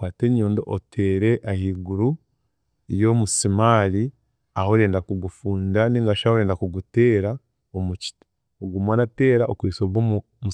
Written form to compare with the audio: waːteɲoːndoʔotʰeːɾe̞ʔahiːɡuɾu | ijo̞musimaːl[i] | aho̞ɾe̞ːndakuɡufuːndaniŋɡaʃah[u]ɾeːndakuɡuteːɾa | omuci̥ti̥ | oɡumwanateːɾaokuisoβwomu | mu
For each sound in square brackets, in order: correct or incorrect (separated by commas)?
correct, incorrect